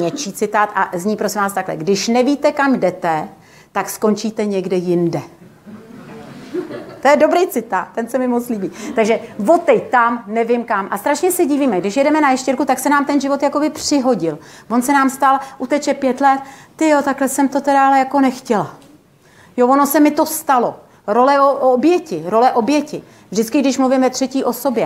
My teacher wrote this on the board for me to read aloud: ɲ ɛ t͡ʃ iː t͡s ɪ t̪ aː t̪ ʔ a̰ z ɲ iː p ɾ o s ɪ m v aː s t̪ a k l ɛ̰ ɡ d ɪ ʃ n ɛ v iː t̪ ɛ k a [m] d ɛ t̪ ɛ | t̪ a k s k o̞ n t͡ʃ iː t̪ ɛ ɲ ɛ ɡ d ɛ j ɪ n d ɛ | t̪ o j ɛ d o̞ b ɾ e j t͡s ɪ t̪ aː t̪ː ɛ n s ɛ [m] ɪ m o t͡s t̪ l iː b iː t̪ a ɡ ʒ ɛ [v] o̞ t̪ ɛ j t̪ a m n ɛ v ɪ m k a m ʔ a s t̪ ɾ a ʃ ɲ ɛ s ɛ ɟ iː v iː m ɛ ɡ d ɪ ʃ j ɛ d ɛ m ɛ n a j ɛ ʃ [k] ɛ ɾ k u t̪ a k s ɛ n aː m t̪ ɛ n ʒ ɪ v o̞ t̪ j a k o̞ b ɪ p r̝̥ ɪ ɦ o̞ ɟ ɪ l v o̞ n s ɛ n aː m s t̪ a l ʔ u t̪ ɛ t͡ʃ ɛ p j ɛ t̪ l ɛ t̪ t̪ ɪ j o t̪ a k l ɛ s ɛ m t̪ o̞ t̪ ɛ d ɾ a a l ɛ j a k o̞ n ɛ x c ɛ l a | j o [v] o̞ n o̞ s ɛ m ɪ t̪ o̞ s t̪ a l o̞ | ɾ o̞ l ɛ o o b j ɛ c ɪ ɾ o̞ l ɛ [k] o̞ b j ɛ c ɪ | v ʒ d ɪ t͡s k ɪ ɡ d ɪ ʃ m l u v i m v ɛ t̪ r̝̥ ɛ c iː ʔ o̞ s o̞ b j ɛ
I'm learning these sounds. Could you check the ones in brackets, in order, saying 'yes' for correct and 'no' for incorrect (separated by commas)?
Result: yes, yes, yes, no, yes, no